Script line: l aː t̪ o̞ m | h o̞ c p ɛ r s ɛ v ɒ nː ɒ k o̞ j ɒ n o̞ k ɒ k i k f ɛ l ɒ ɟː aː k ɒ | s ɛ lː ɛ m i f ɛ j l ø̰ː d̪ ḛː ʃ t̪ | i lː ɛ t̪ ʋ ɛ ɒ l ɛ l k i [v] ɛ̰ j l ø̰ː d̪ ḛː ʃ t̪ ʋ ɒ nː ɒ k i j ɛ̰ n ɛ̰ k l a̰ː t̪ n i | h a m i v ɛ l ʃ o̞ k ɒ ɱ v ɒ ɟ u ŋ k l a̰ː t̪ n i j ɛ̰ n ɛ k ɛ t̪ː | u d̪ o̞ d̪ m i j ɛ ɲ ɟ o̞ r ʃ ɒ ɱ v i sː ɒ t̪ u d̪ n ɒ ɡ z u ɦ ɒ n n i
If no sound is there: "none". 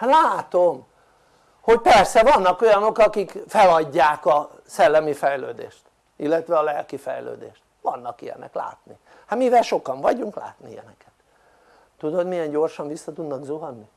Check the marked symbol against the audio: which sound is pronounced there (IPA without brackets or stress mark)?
f